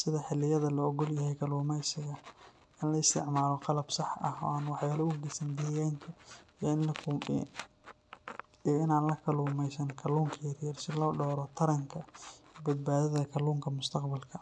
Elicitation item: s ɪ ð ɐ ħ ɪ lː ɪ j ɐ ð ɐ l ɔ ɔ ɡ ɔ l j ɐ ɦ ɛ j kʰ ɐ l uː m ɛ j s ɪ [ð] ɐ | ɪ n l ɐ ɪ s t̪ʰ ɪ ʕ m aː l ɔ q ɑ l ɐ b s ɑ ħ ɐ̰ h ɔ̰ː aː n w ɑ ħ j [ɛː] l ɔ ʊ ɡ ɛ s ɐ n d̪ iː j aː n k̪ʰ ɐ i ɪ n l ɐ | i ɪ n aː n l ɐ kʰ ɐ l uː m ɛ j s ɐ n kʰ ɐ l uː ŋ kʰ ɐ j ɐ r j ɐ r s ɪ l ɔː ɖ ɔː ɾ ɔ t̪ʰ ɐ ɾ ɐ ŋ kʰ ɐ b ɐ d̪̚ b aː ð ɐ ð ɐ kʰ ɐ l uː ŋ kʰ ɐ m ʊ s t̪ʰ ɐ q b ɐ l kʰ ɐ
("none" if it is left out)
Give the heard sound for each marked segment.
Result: ɣ, aː

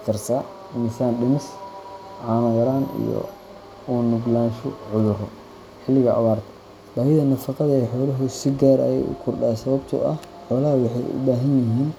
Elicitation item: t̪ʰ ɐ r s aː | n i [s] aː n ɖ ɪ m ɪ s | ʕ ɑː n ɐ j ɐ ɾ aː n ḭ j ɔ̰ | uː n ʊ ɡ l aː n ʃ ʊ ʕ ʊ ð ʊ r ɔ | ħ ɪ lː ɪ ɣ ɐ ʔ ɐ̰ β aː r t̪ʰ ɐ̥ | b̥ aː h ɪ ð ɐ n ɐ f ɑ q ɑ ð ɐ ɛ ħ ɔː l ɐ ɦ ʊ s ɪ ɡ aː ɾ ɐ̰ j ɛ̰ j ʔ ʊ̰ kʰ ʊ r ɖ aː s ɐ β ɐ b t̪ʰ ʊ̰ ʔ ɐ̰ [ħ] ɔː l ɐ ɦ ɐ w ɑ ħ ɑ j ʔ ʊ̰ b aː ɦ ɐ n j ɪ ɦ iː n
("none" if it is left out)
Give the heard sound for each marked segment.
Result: s, ħ

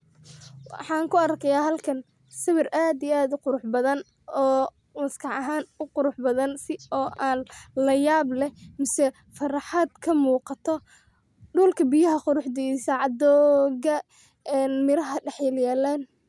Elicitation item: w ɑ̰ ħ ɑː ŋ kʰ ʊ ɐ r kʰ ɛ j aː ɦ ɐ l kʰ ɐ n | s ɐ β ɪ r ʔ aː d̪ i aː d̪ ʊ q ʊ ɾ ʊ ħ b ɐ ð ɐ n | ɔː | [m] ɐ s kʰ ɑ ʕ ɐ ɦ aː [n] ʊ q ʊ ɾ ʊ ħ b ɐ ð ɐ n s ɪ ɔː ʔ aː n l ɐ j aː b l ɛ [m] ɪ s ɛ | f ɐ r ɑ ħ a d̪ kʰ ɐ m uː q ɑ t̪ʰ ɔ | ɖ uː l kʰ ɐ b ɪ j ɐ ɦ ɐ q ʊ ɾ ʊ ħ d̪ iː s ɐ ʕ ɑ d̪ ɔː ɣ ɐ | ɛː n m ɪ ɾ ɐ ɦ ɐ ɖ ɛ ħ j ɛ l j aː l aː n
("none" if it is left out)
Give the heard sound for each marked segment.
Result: m, n, m

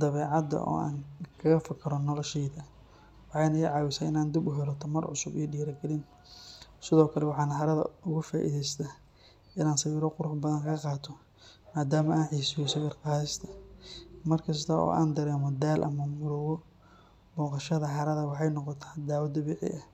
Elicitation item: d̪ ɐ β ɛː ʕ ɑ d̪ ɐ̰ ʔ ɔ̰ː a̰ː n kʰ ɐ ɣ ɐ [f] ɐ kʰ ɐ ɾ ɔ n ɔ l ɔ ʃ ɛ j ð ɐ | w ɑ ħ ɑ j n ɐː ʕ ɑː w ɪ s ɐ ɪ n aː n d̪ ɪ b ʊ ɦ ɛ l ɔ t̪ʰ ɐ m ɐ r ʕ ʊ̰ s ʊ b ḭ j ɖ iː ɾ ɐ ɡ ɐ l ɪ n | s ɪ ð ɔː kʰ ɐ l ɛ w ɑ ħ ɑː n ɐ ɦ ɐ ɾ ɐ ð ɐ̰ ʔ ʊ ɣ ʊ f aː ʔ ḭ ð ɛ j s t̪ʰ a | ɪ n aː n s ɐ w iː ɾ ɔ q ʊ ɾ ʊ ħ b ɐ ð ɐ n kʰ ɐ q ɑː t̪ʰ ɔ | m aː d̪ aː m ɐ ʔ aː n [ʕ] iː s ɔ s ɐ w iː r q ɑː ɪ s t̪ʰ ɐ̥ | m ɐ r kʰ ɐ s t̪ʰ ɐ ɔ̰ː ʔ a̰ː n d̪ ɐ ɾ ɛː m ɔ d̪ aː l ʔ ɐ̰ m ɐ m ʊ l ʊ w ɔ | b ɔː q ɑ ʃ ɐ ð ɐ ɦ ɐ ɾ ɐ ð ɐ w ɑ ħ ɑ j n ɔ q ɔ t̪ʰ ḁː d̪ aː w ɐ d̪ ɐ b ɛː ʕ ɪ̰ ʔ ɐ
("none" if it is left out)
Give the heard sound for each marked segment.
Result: f, ʕ

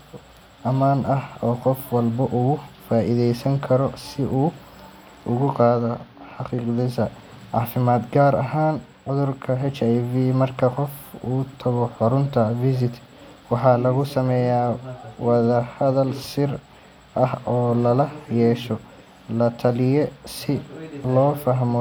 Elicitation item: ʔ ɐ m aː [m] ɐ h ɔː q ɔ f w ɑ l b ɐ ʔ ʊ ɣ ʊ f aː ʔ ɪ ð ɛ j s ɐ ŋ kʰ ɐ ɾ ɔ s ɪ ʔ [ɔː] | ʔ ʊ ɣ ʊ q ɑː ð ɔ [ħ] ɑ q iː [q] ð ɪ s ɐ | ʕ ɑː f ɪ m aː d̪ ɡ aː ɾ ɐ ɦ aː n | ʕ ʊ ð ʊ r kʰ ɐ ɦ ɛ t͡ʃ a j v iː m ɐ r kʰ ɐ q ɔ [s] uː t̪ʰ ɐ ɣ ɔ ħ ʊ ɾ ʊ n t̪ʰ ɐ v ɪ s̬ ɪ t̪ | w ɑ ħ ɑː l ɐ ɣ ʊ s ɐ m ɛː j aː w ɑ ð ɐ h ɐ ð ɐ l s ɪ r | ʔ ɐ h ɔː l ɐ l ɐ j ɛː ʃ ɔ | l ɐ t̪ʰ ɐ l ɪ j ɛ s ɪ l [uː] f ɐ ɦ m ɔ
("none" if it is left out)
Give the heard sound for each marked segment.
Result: n, uː, ħ, q, f, ɔː

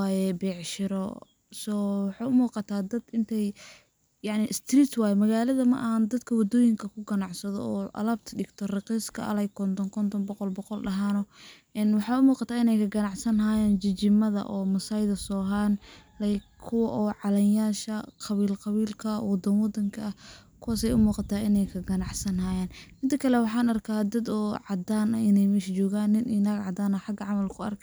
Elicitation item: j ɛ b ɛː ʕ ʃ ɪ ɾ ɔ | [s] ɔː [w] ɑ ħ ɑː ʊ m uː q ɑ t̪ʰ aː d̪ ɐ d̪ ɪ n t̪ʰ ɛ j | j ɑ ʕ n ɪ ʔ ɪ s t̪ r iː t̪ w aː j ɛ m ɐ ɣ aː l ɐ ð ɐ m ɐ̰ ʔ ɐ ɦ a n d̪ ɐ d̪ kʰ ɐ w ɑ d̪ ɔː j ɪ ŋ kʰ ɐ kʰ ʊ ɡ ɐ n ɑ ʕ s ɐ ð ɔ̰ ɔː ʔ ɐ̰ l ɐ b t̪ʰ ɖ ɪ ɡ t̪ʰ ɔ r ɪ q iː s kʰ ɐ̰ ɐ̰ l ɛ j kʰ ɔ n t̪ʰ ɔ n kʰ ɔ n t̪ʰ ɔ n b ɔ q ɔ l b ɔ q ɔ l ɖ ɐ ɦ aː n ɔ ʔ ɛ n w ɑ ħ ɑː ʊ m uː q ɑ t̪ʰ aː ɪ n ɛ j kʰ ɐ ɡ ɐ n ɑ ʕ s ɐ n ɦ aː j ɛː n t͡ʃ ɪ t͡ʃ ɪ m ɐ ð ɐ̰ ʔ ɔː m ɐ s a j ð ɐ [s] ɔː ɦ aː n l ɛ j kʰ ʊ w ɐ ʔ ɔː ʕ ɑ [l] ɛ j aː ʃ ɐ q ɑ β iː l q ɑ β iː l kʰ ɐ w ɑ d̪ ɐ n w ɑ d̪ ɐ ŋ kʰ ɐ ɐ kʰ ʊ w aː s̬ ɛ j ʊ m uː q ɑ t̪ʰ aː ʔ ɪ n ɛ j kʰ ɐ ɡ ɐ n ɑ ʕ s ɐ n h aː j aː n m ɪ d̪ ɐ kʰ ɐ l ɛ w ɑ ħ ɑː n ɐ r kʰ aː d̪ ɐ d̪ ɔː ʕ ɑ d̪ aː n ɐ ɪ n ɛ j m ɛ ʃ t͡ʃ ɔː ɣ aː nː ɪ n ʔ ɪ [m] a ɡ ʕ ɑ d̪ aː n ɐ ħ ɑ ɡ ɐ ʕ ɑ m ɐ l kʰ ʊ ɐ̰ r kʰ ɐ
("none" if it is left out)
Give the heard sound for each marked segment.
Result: s, w, s, l, n

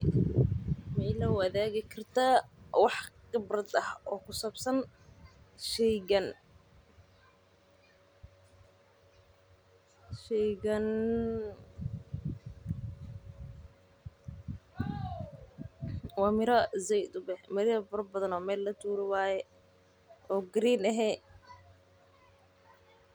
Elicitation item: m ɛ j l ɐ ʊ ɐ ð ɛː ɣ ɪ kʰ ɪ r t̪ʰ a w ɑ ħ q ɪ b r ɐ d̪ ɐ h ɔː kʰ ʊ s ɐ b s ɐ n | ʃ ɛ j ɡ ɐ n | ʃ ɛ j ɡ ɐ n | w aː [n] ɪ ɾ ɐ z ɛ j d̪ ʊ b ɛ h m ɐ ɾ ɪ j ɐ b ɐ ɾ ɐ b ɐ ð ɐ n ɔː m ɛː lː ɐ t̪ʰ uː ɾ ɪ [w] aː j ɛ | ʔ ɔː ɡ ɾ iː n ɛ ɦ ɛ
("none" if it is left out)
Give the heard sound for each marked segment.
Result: m, w

